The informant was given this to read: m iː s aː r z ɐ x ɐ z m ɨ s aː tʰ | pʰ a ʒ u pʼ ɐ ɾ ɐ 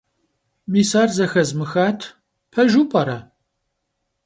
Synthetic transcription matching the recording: m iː s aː r z ɐ x ɐ z m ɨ x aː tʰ | pʰ ɐ ʒ u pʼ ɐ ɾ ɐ